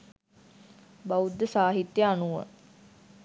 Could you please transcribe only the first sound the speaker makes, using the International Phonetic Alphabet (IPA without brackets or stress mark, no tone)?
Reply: b